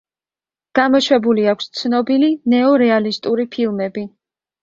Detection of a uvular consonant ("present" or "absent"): absent